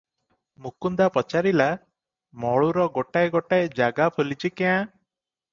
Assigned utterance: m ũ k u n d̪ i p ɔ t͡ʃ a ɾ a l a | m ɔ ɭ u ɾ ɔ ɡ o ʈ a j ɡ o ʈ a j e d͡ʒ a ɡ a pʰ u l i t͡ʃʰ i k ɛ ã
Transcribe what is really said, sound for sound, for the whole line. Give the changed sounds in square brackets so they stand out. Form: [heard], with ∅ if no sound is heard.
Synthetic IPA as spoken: m [u] k u n d̪ [a] p ɔ t͡ʃ a ɾ [i] l a | m ɔ ɭ u ɾ ɔ ɡ o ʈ a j ɡ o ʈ a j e d͡ʒ a ɡ a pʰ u l i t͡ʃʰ i k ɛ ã

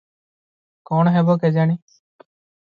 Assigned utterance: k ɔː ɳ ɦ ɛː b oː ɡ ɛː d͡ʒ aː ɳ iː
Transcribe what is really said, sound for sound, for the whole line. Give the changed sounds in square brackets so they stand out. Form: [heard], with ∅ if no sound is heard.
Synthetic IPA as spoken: k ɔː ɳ ɦ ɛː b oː [k] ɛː d͡ʒ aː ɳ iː

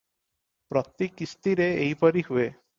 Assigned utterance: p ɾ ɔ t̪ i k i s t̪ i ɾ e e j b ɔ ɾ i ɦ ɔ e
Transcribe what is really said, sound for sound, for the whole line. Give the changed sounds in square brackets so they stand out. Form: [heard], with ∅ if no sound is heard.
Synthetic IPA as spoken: p ɾ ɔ t̪ i k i s t̪ i ɾ e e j [p] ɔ ɾ i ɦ [u] e

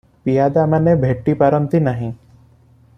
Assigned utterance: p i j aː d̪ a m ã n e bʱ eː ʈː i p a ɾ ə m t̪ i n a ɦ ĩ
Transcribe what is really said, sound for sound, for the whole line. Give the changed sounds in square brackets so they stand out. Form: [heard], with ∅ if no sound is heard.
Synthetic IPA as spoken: p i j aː d̪ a m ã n e bʱ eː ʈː i p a ɾ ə m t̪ i n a ɦ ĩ

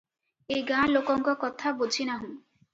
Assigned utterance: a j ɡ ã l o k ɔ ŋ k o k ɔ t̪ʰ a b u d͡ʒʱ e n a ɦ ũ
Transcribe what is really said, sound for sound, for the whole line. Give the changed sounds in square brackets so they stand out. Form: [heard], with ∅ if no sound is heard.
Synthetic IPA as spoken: [e] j ɡ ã l o k ɔ ŋ k [ɔ] k ɔ t̪ʰ a b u d͡ʒʱ [i] n a ɦ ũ

